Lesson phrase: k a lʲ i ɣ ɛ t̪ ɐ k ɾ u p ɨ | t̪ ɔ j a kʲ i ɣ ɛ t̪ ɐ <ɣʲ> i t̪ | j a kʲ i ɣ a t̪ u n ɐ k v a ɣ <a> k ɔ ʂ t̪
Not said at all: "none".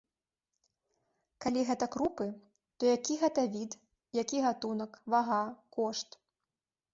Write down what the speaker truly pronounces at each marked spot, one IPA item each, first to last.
vʲ, a

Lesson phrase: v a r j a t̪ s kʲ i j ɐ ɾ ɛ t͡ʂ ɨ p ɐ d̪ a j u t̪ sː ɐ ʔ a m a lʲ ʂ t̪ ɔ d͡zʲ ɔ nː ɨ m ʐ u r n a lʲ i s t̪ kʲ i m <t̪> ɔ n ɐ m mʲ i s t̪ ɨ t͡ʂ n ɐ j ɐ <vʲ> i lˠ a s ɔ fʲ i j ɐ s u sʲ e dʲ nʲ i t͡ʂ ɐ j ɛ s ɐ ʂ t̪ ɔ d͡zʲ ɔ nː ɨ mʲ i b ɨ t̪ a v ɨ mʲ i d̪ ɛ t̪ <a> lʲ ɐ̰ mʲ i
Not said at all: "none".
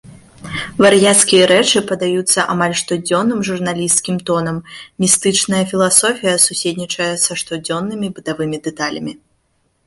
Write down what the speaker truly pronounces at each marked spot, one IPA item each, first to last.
t̪, fʲ, a

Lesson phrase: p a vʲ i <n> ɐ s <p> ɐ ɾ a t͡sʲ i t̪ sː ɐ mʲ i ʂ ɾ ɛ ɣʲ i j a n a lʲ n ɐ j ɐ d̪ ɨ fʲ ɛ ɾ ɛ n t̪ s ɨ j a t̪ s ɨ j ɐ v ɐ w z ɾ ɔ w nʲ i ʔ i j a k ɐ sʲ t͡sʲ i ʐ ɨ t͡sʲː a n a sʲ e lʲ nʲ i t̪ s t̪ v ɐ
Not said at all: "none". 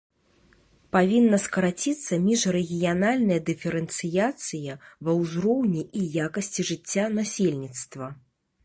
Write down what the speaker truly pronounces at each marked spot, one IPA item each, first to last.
nː, k

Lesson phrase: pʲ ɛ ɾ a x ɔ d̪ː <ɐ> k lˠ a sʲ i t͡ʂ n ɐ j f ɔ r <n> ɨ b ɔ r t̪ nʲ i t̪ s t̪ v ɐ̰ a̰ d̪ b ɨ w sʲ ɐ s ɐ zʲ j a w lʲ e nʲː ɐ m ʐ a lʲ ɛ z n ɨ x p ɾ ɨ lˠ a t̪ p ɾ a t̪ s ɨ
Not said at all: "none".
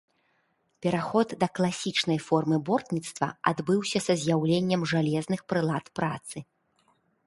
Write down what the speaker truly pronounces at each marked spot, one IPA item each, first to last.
ɐ, m

